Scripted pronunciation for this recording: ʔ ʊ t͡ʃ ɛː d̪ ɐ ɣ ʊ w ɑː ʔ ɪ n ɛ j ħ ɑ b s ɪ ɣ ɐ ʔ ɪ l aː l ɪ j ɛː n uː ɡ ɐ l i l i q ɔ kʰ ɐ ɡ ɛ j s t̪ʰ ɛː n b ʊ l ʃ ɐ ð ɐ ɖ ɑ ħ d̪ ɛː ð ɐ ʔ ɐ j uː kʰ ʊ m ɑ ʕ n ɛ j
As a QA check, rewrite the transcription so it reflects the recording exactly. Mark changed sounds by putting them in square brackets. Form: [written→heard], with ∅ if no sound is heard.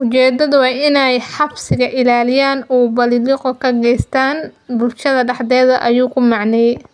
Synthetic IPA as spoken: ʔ ʊ t͡ʃ ɛː d̪ ɐ [ɣ→ð] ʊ w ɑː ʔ ɪ n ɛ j ħ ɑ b s ɪ ɣ ɐ ʔ ɪ l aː l ɪ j [ɛː→aː] n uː [ɡ→b] ɐ l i l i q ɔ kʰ ɐ ɡ ɛ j s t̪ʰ [ɛː→aː] n b ʊ l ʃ ɐ ð ɐ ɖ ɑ ħ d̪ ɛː ð ɐ ʔ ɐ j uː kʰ ʊ m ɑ ʕ n ɛ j